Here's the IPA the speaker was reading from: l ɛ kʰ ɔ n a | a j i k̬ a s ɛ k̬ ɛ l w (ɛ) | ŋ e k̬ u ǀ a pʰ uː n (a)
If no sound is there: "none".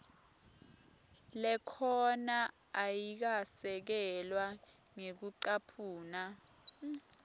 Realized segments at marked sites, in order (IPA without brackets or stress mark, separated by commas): a, a